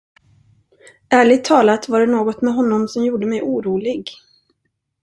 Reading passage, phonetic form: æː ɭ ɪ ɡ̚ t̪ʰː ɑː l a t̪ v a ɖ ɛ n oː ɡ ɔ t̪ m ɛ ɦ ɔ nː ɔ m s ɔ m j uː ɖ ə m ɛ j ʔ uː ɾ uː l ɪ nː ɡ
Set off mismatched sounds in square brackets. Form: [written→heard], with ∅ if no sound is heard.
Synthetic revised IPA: æː ɭ ɪ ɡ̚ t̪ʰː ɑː l a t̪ v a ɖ ɛ n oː ɡ ɔ t̪ m ɛ ɦ ɔ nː ɔ m s ɔ m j uː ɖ ə m ɛ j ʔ uː ɾ uː l ɪ [nː→∅] ɡ